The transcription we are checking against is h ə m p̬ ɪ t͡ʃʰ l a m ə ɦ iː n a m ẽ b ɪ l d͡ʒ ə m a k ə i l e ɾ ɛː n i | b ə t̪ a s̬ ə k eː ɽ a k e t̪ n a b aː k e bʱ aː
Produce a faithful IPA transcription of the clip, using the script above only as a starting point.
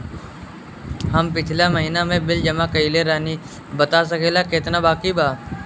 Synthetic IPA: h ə m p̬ ɪ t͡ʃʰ l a m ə ɦ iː n a m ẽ b ɪ l d͡ʒ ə m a k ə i l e ɾ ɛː n i | b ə t̪ a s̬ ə k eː l a k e t̪ n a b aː k i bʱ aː